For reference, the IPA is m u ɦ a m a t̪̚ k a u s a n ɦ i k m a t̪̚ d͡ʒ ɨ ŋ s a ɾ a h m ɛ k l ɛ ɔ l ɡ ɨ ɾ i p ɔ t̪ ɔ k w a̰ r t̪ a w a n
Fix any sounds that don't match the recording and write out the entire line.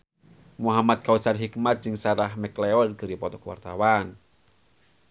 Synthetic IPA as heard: m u ɦ a m a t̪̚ k a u s a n ɦ i k m a t̪̚ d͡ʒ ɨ ŋ s a ɾ a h m ɛ k l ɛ ɔ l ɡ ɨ ɾ i p ɔ t̪ ɔ k w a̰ r t̪ a w a n